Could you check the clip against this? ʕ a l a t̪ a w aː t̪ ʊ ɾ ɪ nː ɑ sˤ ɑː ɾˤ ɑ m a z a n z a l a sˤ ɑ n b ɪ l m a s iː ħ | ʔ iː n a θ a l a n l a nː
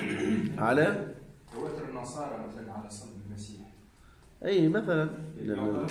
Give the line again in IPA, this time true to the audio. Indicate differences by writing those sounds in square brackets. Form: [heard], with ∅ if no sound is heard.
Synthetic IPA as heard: ʕ a l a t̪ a w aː t̪ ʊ ɾ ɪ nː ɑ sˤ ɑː ɾˤ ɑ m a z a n [ʕ] a l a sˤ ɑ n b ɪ l m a s iː ħ | ʔ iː [m] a θ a l a n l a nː